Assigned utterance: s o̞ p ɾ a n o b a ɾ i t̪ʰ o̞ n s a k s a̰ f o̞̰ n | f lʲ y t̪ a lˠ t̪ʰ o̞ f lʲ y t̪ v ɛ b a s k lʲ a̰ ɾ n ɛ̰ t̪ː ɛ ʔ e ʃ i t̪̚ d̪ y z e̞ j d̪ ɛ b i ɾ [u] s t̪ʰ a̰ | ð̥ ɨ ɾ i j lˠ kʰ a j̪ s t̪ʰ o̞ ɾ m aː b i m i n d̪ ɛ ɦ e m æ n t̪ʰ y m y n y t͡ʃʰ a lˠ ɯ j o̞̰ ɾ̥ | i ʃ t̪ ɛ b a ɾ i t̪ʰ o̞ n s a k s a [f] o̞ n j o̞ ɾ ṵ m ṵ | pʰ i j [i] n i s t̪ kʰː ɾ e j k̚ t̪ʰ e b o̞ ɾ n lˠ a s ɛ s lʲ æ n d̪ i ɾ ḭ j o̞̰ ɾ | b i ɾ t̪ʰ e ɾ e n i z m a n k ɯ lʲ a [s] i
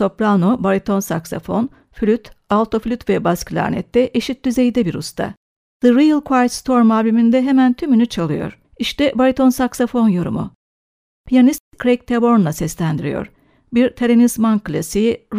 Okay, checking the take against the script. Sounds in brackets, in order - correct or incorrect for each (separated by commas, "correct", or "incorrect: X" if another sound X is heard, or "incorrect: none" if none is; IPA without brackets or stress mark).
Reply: correct, correct, incorrect: a, correct